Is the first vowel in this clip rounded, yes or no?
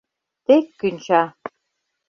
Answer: no